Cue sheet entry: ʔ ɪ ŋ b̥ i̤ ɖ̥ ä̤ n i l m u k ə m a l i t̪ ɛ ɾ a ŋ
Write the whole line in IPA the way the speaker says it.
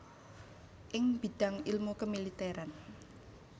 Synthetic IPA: ʔ ɪ ŋ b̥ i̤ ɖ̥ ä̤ ŋ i l m u k ə m i l i t̪ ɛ ɾ a n